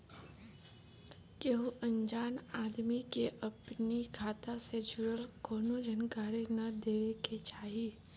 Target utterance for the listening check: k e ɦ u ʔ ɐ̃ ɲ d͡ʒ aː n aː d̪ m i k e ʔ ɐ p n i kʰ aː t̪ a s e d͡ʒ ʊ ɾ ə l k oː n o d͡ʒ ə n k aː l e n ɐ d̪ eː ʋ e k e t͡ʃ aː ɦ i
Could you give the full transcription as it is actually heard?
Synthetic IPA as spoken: k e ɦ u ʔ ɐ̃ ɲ d͡ʒ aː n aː d̪ m i k e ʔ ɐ p n i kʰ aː t̪ a s e d͡ʒ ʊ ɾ ə l k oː n o d͡ʒ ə n k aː ɾ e n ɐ d̪ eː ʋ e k e t͡ʃ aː ɦ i